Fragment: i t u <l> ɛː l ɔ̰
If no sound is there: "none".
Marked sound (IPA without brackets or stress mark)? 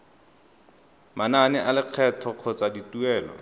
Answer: none